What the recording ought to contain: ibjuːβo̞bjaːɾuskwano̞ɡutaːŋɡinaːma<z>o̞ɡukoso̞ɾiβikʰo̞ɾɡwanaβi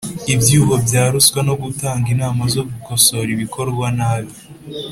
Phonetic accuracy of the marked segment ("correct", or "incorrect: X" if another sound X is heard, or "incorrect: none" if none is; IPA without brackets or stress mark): correct